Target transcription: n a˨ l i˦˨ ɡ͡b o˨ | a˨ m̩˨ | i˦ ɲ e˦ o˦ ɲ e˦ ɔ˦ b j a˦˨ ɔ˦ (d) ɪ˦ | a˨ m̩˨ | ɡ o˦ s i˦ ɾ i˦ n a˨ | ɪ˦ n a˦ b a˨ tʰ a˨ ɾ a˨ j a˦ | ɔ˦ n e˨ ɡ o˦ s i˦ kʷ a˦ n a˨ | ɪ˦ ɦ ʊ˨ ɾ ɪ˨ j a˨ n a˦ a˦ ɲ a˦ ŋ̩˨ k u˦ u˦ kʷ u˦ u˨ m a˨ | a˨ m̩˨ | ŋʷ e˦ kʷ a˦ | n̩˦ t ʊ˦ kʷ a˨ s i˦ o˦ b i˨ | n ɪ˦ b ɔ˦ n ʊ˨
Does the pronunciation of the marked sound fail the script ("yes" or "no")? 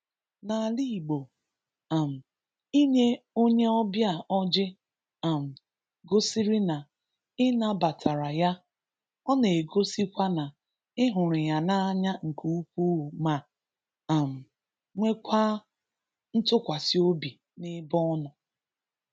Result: yes